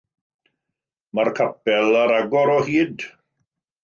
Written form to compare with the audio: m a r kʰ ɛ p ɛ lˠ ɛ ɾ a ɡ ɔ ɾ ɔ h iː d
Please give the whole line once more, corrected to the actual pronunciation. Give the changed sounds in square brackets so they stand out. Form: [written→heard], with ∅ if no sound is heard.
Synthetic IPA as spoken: m a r kʰ [ɛ→a] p ɛ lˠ [ɛ→a] ɾ a ɡ ɔ ɾ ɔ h iː d